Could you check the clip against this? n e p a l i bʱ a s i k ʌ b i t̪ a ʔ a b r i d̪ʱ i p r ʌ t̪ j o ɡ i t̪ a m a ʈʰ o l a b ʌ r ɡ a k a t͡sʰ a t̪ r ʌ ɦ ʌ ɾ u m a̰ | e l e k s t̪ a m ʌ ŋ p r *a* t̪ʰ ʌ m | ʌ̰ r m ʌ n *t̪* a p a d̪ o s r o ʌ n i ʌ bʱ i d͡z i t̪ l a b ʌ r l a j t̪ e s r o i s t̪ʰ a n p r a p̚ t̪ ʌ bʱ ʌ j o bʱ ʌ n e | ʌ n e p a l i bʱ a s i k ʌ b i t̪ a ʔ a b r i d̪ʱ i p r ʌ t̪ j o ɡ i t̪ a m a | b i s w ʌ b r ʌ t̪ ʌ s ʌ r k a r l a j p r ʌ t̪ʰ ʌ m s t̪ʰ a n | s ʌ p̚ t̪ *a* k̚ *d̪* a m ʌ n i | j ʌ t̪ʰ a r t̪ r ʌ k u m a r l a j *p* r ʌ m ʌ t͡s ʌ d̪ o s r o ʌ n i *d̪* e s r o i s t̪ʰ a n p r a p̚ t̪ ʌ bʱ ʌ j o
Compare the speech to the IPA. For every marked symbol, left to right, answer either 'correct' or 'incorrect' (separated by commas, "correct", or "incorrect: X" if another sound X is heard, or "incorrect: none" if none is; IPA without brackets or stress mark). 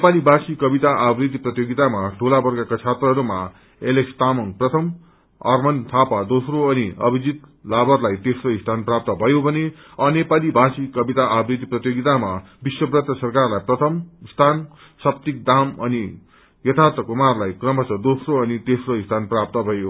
incorrect: ʌ, incorrect: t̪ʰ, incorrect: i, correct, incorrect: k, incorrect: t̪